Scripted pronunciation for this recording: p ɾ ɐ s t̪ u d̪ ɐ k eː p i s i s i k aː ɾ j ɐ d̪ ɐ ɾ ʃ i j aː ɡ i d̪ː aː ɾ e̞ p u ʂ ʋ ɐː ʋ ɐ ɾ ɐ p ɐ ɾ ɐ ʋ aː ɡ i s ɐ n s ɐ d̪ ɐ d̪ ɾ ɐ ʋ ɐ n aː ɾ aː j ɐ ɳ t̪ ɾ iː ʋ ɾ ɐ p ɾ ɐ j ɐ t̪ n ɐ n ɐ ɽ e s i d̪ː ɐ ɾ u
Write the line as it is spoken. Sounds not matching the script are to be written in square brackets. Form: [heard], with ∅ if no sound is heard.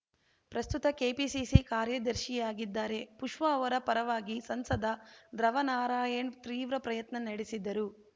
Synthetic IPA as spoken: p ɾ ɐ s t̪ u [t̪] ɐ k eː p i s i s i k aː ɾ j ɐ d̪ ɐ ɾ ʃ i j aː ɡ i d̪ː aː ɾ e̞ p u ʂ ʋ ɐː ʋ ɐ ɾ ɐ p ɐ ɾ ɐ ʋ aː ɡ i s ɐ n s ɐ d̪ ɐ d̪ ɾ ɐ ʋ ɐ n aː ɾ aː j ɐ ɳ t̪ ɾ iː ʋ ɾ ɐ p ɾ ɐ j ɐ t̪ n ɐ n ɐ ɽ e s i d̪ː ɐ ɾ u